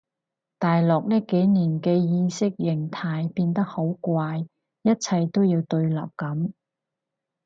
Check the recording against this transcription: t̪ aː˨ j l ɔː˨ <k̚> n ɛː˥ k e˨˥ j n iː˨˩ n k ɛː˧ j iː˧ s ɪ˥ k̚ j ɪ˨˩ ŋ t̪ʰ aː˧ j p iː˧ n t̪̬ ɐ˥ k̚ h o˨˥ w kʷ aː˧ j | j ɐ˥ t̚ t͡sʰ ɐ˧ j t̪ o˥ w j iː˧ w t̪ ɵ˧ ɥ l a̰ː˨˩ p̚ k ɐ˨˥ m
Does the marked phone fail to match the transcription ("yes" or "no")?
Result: no